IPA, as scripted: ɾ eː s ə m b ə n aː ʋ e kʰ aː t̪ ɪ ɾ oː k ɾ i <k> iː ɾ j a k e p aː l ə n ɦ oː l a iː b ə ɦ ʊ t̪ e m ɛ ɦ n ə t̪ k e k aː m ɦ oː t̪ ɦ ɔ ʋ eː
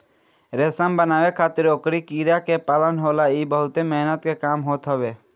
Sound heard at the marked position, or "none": k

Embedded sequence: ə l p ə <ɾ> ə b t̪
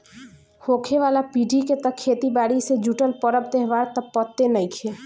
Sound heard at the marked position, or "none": ɾ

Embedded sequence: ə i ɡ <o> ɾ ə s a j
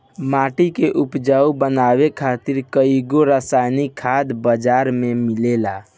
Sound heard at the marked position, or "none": o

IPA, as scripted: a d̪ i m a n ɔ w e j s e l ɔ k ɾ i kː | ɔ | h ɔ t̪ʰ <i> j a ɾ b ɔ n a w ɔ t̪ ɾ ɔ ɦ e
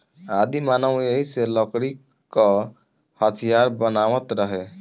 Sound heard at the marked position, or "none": i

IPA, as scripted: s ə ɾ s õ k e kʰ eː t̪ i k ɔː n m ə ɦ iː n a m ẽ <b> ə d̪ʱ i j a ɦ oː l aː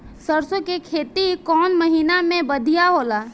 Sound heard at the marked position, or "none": b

